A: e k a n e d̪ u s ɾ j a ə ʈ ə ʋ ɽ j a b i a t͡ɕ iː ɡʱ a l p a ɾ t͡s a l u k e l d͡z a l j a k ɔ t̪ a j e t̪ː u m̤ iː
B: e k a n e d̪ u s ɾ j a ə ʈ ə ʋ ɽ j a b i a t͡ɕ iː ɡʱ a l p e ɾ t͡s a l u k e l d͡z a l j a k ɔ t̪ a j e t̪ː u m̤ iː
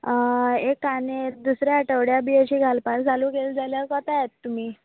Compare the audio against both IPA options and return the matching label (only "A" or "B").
A